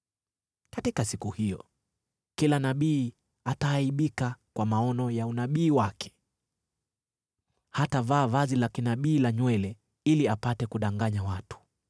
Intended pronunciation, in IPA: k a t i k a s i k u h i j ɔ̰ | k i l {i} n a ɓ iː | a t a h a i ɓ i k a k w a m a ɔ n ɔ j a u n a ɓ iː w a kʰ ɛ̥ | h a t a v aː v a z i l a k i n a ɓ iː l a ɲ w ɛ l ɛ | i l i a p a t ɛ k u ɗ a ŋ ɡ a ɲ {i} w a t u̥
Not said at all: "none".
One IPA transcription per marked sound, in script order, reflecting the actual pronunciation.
a, a

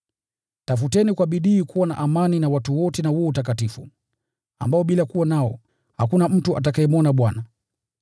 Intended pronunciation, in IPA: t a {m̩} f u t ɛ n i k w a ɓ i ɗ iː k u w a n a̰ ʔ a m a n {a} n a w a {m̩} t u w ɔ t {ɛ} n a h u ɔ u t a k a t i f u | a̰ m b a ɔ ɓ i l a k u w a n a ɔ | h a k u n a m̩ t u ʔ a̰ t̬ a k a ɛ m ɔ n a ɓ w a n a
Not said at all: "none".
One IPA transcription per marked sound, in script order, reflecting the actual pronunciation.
none, i, none, ɛ

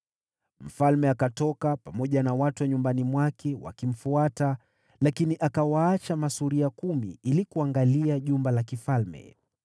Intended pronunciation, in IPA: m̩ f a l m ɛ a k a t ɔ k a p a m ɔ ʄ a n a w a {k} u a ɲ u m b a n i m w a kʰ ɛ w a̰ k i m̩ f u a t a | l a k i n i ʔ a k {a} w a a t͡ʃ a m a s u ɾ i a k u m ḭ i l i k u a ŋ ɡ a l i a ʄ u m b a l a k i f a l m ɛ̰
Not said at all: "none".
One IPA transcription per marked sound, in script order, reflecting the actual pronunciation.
t, a

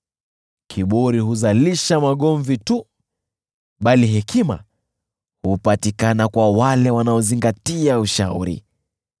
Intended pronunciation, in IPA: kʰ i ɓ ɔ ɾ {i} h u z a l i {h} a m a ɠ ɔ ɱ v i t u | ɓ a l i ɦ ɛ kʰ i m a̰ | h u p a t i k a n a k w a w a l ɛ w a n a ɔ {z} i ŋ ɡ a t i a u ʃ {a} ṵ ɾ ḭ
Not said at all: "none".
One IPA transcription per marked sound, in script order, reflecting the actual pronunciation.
i, ʃ, z, a

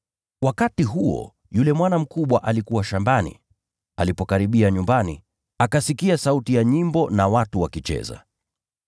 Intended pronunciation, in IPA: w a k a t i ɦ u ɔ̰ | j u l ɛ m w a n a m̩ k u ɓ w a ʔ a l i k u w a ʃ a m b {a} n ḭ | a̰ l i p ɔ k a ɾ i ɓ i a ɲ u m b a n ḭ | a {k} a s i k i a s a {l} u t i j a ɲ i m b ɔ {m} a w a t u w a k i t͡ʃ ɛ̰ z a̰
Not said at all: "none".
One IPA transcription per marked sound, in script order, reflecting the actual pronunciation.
a, k, none, n

